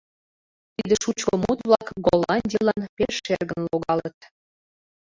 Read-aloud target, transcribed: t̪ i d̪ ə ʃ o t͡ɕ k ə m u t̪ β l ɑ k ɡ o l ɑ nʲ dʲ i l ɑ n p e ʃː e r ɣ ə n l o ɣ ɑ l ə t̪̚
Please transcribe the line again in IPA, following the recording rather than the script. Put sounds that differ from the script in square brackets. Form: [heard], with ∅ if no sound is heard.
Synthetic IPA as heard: t̪ i d̪ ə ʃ [u] t͡ɕ k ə m u t̪ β l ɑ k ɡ o l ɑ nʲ dʲ i l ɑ n p e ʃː e r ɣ ə n l o ɣ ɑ l ə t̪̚